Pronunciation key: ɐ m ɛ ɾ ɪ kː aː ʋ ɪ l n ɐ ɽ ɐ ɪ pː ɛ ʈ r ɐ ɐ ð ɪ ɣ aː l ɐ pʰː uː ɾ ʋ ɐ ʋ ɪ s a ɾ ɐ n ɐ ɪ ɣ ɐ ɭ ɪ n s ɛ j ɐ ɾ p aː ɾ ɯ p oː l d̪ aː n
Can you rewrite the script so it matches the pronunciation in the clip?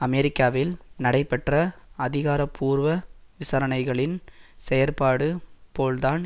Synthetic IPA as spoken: ɐ m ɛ ɾ ɪ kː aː ʋ ɪ l n ɐ ɽ ɐ ɪ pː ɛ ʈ r ɐ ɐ ð ɪ ɣ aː ɾ ɐ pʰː uː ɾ ʋ ɐ ʋ ɪ s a ɾ ɐ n ɐ ɪ ɣ ɐ ɭ ɪ n s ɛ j ɐ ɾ p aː ɽ ɯ p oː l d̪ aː n